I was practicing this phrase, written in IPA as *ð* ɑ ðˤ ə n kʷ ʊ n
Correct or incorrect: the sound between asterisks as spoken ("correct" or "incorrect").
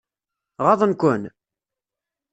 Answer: incorrect